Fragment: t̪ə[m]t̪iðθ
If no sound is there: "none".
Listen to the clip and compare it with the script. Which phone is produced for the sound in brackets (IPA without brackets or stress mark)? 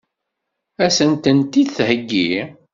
n